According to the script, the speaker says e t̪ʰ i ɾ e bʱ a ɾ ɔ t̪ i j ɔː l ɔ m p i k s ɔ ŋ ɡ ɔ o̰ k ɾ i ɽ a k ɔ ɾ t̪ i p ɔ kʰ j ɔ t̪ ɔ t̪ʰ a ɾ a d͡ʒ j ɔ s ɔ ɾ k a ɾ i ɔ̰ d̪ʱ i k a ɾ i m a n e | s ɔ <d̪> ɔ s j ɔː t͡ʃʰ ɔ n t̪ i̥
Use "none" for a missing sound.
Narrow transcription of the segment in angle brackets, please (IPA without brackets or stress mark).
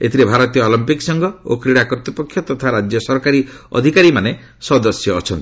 d̪